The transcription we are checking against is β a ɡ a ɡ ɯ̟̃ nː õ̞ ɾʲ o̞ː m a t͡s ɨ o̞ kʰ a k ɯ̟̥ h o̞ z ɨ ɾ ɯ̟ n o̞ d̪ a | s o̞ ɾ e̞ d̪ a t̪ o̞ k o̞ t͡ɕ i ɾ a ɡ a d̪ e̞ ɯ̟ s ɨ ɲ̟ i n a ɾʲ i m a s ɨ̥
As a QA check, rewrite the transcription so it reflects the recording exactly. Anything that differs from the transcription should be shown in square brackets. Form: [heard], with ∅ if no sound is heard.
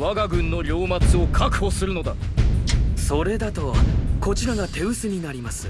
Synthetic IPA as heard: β a ɡ a ɡ ɯ̟̃ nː [o̞] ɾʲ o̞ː m a t͡s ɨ o̞ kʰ a k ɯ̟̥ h o̞ [s] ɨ ɾ ɯ̟ n o̞ d̪ a | s o̞ ɾ e̞ d̪ a t̪ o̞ k o̞ t͡ɕ i ɾ a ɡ a [t̪] e̞ ɯ̟ s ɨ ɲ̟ i n a ɾʲ i m a s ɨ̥